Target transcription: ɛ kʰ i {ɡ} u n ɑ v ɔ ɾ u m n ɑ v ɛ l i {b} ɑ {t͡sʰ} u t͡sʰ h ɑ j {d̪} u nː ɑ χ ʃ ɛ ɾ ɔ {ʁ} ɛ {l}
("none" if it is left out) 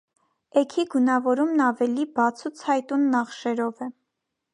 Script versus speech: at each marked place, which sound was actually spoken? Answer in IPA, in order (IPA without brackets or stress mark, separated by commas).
ɡ, b, t͡sʰ, t̪, v, none